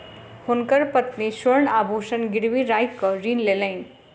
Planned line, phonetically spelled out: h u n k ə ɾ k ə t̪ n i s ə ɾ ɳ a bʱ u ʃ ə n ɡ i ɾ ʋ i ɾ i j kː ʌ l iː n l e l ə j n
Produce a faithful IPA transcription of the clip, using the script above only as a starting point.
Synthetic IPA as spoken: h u n k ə ɾ p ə t̪ n i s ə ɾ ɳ a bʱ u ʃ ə n ɡ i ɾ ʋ i ɾ a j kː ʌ ɾ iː n l e l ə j n